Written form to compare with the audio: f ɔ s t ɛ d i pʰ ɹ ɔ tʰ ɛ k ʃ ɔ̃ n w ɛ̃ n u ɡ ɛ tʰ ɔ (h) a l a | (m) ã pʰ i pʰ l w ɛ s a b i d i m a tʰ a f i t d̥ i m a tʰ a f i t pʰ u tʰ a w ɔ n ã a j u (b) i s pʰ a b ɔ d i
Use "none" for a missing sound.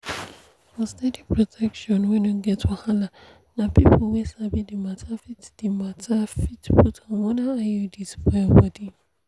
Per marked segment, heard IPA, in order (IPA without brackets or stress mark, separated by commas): h, n, d